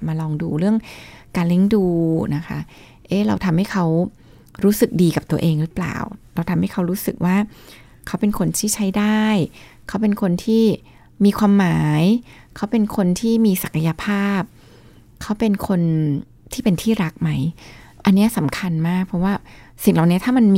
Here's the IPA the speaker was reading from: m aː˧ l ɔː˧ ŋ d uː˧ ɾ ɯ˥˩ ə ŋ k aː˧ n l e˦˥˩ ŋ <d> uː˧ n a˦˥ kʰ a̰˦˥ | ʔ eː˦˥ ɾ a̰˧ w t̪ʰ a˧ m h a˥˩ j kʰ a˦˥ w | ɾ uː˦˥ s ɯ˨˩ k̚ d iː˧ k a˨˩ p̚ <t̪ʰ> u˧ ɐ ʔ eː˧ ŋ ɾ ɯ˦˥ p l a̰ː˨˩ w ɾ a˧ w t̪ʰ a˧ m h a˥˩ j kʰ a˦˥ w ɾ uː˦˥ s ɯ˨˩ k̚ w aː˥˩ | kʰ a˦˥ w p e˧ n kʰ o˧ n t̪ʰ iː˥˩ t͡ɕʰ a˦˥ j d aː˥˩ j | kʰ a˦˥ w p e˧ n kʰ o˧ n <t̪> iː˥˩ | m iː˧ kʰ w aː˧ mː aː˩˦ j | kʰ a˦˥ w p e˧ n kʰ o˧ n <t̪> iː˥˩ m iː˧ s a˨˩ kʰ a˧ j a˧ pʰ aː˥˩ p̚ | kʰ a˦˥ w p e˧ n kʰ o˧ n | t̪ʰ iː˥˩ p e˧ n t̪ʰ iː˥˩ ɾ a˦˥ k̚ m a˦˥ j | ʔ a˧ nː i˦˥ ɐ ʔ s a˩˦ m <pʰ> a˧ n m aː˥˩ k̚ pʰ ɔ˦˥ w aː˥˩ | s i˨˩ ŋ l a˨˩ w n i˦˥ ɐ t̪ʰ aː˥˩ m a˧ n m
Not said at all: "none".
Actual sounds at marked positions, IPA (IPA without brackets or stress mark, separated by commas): d, t̪, t̪ʰ, t̪ʰ, kʰ